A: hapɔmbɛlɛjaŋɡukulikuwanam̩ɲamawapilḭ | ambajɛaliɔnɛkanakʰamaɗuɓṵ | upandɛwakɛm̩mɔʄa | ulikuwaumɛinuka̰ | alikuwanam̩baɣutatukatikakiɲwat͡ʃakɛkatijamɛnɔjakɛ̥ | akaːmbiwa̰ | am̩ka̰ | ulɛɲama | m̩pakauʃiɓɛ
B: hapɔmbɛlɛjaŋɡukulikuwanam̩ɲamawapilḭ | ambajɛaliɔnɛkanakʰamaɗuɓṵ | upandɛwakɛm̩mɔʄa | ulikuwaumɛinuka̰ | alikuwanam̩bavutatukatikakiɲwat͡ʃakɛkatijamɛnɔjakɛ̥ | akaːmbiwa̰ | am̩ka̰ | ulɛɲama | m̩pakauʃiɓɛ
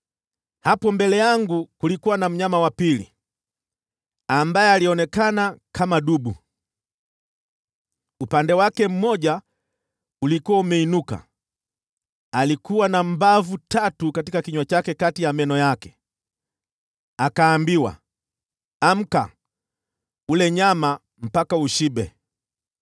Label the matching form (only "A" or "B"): B